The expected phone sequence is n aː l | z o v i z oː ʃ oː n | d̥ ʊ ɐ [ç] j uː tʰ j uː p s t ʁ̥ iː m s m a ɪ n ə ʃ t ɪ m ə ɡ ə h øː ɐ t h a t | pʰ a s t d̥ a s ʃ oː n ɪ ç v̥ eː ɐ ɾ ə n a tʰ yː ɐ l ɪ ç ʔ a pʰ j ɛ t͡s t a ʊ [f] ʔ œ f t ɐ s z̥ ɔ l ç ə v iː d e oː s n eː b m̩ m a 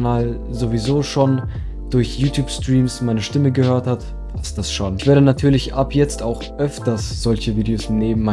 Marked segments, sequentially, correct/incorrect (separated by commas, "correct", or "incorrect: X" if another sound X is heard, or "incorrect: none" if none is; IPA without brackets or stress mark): correct, incorrect: x